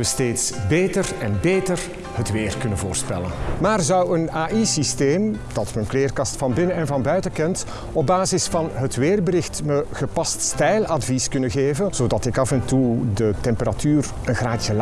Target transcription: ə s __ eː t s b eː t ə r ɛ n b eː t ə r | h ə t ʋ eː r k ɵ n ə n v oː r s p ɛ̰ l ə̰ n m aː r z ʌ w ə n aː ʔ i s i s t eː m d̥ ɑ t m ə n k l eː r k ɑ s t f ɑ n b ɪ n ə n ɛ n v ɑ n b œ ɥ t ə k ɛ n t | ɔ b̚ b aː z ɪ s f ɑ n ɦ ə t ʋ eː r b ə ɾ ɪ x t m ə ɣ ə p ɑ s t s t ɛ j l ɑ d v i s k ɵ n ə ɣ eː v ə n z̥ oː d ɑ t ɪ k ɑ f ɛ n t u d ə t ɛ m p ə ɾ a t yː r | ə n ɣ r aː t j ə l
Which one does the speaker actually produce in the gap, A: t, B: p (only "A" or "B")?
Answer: A